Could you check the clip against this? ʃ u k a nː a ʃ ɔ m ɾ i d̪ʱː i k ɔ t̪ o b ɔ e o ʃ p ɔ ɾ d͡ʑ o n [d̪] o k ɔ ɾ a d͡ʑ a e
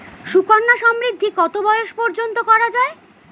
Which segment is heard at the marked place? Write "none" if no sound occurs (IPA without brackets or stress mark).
t̪